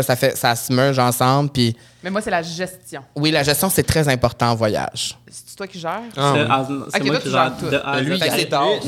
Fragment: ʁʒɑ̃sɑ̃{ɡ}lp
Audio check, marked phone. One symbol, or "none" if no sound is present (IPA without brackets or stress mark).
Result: b